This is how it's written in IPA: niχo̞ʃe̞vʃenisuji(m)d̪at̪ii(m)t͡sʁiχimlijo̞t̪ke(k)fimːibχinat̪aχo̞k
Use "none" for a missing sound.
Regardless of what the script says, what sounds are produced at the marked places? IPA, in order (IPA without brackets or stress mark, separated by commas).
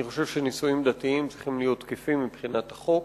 m, m, none